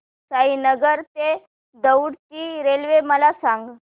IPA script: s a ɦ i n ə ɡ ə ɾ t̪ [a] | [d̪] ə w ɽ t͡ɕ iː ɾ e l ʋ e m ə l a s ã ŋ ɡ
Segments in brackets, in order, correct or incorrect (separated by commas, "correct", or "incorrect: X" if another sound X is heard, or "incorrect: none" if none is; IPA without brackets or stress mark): incorrect: e, correct